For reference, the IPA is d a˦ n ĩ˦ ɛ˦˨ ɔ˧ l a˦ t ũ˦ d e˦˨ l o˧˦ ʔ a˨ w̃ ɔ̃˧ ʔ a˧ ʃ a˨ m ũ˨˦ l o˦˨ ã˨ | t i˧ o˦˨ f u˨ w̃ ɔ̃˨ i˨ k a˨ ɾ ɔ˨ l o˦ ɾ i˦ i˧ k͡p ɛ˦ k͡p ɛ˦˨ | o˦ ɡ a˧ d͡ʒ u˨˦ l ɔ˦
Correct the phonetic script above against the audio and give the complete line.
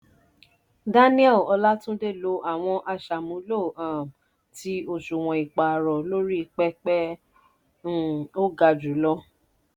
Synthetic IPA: d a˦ n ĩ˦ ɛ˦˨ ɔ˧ l a˦ t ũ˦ d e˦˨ l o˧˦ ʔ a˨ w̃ ɔ̃˧ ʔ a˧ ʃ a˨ m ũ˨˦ l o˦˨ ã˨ | t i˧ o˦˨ ʃ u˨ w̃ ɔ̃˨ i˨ k͡p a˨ ɾ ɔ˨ l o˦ ɾ i˦ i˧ k͡p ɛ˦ k͡p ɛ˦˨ | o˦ ɡ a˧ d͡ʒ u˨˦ l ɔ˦